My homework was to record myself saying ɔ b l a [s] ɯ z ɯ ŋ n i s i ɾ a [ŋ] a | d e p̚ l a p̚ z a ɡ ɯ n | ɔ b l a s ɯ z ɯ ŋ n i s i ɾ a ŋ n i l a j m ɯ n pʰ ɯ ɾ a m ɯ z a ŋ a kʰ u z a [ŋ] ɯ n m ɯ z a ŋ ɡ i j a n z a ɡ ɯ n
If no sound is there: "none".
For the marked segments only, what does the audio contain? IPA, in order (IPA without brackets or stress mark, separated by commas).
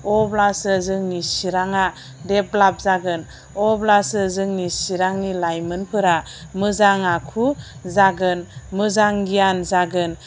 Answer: s, ŋ, ɡ